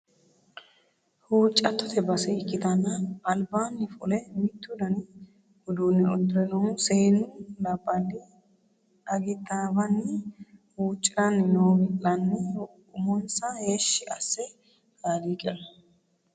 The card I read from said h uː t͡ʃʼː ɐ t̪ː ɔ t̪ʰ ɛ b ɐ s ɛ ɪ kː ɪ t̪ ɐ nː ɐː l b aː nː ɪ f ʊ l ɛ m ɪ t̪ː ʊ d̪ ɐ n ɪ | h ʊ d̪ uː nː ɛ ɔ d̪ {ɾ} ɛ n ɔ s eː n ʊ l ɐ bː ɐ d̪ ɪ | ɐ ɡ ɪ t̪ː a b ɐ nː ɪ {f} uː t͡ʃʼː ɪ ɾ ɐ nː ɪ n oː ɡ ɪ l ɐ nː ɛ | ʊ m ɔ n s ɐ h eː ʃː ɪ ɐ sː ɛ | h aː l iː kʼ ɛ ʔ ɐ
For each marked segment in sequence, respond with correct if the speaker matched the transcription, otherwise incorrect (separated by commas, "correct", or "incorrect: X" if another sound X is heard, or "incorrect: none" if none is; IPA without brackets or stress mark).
correct, incorrect: h